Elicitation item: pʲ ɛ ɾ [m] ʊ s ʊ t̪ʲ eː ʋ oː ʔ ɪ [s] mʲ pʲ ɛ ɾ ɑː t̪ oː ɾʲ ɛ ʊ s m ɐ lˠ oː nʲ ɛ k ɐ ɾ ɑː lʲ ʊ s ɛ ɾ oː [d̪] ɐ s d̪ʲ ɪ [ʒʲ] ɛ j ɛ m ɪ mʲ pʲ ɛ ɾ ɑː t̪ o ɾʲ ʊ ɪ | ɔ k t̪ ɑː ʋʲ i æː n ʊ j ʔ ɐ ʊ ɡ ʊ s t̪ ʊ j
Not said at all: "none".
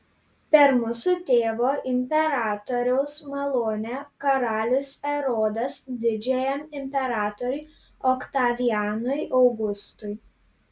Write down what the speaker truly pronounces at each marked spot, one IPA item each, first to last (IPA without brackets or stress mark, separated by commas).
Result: m, none, d̪, d͡ʒʲ